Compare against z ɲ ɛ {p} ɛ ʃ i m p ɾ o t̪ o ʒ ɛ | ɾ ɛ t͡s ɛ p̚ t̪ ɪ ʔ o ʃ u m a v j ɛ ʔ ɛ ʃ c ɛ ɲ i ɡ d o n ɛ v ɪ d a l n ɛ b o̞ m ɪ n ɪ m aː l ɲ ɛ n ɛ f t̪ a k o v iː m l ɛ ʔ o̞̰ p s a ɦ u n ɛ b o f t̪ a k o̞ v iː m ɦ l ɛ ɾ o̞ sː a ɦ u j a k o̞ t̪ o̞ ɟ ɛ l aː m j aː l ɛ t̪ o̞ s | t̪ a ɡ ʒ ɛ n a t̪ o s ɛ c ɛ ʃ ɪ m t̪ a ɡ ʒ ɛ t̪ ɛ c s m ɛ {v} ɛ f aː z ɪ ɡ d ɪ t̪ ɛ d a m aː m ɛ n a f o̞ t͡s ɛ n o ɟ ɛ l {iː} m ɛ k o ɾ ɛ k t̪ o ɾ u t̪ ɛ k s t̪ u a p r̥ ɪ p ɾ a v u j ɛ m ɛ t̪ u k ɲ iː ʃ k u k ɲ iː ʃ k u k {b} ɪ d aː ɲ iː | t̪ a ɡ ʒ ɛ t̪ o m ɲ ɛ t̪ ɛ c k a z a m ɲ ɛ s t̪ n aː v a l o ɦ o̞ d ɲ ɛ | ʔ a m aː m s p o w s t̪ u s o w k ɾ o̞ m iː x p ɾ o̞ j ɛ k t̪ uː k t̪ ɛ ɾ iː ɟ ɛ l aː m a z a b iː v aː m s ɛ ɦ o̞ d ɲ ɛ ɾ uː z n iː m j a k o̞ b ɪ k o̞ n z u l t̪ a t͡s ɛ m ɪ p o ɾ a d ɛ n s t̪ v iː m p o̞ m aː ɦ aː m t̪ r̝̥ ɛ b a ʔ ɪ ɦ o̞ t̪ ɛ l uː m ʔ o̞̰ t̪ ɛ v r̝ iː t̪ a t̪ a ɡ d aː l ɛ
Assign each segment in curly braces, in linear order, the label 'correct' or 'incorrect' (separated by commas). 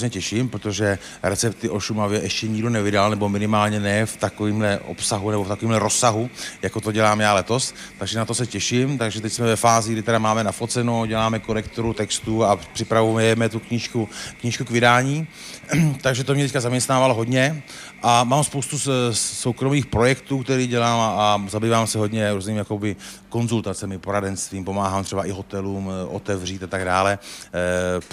incorrect, correct, incorrect, incorrect